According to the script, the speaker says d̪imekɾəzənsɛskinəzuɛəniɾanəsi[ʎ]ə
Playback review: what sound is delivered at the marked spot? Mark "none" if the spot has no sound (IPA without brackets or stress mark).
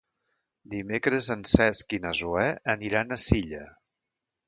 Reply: ʎ